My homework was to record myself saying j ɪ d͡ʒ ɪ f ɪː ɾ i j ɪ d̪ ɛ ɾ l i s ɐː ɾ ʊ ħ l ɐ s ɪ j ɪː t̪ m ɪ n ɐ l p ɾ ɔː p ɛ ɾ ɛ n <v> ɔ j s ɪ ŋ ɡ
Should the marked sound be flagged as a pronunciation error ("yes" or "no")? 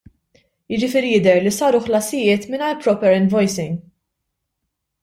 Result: no